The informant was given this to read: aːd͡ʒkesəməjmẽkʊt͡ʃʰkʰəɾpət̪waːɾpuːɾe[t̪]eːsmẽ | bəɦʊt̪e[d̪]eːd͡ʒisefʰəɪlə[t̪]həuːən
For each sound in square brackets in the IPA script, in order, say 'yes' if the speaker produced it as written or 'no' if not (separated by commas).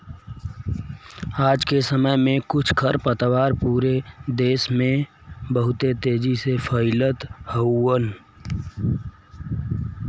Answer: no, no, yes